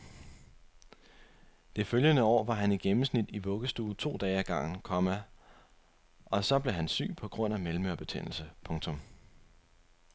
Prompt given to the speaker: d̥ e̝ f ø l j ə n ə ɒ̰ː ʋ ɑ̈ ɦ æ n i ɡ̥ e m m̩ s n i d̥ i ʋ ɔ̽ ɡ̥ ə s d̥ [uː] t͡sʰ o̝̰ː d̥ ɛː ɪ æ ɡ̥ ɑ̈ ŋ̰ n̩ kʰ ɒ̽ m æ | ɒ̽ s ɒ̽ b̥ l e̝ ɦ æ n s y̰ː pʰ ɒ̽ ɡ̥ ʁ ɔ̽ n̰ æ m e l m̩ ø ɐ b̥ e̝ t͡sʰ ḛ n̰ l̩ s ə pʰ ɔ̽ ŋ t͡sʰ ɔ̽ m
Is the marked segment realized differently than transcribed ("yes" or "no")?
no